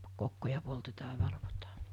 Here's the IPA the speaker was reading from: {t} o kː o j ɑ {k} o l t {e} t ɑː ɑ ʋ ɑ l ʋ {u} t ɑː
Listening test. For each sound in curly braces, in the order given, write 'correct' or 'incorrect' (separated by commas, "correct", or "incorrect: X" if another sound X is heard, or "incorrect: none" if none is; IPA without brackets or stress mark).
incorrect: k, incorrect: p, correct, incorrect: o